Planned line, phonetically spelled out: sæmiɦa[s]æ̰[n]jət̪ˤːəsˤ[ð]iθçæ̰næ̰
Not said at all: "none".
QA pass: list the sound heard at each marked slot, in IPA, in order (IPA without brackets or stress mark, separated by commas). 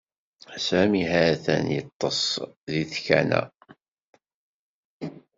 θ, n, ð